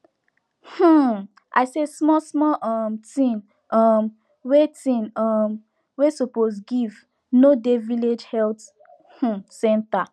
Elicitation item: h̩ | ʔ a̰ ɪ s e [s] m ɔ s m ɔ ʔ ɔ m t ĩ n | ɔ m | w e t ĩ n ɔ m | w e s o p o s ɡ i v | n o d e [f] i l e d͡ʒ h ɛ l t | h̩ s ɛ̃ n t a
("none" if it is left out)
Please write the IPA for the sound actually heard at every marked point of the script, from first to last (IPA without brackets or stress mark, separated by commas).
s, v